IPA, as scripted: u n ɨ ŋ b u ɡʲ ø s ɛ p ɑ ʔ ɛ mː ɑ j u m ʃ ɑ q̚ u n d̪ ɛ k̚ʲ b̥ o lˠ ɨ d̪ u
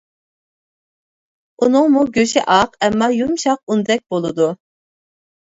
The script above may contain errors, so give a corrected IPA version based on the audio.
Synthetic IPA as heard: u n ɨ ŋ m u ɡʲ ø ʃ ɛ ʔ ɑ q ɛ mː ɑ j u m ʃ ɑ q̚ u n d̪ ɛ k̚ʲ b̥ o lˠ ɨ d̪ u